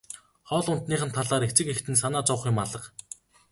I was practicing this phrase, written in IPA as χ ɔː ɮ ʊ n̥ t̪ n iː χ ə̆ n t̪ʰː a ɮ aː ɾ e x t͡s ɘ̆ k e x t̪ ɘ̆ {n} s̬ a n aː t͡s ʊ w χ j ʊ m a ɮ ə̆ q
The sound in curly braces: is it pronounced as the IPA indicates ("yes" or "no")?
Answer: yes